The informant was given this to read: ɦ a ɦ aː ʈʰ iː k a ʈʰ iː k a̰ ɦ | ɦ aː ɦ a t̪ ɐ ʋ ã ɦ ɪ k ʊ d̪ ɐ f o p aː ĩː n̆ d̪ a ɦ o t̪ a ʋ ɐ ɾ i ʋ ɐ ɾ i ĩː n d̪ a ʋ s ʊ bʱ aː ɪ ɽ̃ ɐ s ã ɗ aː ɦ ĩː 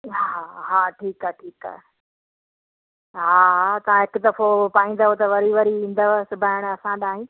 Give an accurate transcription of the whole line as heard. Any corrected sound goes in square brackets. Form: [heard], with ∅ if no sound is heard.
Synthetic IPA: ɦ a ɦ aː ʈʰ iː k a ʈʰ iː k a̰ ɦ | ɦ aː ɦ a t̪ ɐ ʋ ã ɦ ɪ k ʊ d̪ ɐ f o p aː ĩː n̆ d̪ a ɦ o t̪ [ɐ] ʋ ɐ ɾ i ʋ ɐ ɾ i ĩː n d̪ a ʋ s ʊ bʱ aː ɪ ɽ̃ ɐ s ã ɗ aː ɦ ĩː